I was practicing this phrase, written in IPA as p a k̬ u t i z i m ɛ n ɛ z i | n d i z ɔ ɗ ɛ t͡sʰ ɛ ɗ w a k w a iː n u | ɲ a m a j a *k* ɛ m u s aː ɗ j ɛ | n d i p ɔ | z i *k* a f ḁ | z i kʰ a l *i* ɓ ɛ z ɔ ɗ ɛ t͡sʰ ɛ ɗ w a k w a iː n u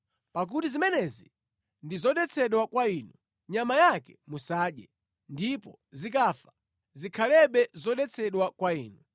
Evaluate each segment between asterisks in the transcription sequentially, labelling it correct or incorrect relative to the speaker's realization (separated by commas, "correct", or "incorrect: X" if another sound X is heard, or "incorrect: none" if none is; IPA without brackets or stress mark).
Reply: correct, correct, incorrect: ɛ